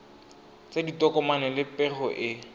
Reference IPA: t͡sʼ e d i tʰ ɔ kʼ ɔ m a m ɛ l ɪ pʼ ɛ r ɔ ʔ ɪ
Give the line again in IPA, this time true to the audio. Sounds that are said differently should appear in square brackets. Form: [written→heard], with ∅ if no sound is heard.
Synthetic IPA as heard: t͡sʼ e d i [tʰ→t] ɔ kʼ ɔ m a [m→n] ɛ l ɪ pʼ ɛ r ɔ ʔ ɪ